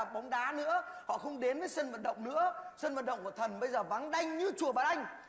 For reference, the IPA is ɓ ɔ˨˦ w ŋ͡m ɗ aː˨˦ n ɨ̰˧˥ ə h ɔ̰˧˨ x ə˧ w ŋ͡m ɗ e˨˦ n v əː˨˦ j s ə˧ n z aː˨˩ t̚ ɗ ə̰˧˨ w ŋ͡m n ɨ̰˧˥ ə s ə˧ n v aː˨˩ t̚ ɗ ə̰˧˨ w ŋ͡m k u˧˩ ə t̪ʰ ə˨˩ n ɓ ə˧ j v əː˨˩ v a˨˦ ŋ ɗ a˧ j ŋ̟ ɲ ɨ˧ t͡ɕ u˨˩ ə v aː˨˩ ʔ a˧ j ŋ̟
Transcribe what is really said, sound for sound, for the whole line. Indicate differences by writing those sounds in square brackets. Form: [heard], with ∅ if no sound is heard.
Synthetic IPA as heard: ɓ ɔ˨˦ w ŋ͡m ɗ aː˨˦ n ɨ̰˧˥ ə h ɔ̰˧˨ x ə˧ w ŋ͡m ɗ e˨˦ n v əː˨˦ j s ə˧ n [v] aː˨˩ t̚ ɗ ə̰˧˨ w ŋ͡m n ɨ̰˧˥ ə s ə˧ n v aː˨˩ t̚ ɗ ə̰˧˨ w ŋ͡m k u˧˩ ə t̪ʰ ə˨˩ n ɓ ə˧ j [z] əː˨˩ v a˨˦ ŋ ɗ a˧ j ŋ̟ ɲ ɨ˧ t͡ɕ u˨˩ ə v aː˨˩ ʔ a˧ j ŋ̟